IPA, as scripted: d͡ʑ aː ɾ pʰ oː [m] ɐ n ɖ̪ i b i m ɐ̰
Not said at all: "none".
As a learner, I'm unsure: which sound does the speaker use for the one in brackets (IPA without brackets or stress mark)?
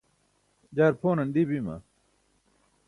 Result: n